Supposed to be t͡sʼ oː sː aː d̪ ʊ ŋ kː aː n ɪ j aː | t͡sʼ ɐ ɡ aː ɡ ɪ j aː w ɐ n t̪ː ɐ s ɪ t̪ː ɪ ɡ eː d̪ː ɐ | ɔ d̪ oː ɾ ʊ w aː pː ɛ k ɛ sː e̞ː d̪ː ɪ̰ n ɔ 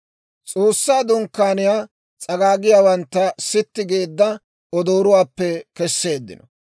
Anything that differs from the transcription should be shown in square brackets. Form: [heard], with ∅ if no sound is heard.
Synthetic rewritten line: t͡sʼ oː sː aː d̪ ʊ ŋ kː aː n ɪ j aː | t͡sʼ ɐ ɡ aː ɡ ɪ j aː w ɐ n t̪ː ɐ s ɪ t̪ː ɪ ɡ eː d̪ː ɐ | ɔ d̪ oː ɾ ʊ w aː pː ɛ k ɛ sː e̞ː d̪ː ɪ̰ n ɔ

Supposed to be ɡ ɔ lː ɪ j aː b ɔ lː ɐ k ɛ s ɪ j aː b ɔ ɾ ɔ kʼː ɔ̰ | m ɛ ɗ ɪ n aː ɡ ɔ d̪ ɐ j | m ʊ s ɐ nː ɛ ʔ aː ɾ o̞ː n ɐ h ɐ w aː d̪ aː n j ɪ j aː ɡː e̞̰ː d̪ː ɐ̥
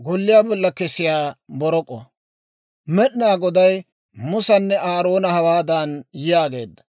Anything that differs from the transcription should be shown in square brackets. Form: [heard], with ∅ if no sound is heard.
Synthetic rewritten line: ɡ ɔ lː ɪ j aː b ɔ lː ɐ k ɛ s ɪ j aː b ɔ ɾ ɔ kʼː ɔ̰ | m ɛ ɗ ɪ n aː ɡ ɔ d̪ ɐ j | m ʊ s ɐ nː ɛ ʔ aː ɾ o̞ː n ɐ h ɐ w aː d̪ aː n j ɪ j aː [ɡ] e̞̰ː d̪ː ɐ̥

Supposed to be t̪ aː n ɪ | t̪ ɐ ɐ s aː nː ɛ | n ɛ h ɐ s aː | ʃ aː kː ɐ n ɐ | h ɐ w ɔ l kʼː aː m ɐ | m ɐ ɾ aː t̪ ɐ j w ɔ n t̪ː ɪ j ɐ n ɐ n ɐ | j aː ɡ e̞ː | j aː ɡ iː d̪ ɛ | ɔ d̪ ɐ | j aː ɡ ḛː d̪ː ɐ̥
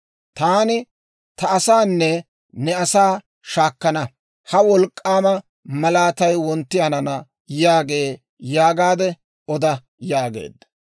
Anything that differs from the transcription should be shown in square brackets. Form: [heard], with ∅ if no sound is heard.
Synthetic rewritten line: t̪ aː n ɪ | t̪ ɐ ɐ s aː nː ɛ | n ɛ [∅] ɐ s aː | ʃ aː kː ɐ n ɐ | h ɐ w ɔ l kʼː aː m ɐ | m ɐ [l] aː t̪ ɐ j w ɔ n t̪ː ɪ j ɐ n ɐ n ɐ | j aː ɡ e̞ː | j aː ɡ [aː] d̪ ɛ | ɔ d̪ ɐ | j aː ɡ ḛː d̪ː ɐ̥

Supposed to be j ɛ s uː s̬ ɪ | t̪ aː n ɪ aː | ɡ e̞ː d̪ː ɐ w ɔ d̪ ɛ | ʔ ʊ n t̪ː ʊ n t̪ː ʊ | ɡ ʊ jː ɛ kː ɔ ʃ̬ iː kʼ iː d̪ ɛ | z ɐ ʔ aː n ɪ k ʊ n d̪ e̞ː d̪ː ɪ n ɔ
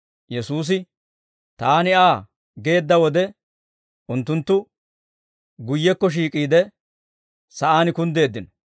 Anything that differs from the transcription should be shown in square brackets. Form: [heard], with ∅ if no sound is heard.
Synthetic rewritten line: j ɛ s uː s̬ ɪ | t̪ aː n ɪ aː | ɡ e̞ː d̪ː ɐ w ɔ d̪ ɛ | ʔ ʊ n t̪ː ʊ n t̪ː ʊ | ɡ ʊ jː ɛ kː ɔ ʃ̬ iː kʼ iː d̪ ɛ | [s] ɐ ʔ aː n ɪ k ʊ n d̪ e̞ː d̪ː ɪ n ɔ

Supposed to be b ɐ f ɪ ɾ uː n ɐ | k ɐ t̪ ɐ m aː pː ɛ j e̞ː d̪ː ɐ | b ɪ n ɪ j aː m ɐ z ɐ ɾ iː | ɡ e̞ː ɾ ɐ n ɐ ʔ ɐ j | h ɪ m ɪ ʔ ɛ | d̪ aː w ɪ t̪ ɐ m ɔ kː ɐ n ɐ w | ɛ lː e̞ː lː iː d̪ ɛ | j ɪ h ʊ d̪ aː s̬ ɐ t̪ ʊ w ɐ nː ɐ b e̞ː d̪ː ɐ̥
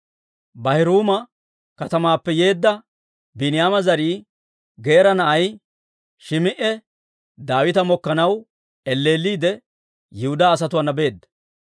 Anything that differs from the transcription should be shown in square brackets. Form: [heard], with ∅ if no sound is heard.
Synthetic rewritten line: b ɐ [h] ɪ ɾ uː [m] ɐ | k ɐ t̪ ɐ m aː pː ɛ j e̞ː d̪ː ɐ | b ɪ n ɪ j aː m ɐ z ɐ ɾ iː | ɡ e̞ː ɾ ɐ n ɐ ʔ ɐ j | [ʃ] ɪ m ɪ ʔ ɛ | d̪ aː w ɪ t̪ ɐ m ɔ kː ɐ n ɐ w | ɛ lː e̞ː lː iː d̪ ɛ | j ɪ h ʊ d̪ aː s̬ ɐ t̪ ʊ w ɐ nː ɐ b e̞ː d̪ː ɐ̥

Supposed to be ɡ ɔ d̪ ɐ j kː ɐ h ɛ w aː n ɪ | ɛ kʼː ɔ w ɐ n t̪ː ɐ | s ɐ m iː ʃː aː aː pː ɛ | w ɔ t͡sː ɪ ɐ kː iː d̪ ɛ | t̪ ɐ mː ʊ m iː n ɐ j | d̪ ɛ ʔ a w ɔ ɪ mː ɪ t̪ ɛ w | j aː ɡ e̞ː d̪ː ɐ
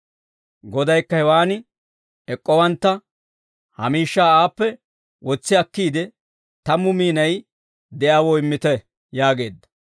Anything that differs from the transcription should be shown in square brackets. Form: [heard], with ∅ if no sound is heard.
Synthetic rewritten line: ɡ ɔ d̪ ɐ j kː ɐ h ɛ w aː n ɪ | ɛ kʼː ɔ w ɐ n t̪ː ɐ | [h] ɐ m iː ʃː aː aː pː ɛ | w ɔ t͡sː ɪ ɐ kː iː d̪ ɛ | t̪ ɐ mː ʊ m iː n ɐ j | d̪ ɛ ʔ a w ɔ ɪ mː ɪ t̪ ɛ [∅] | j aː ɡ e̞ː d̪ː ɐ

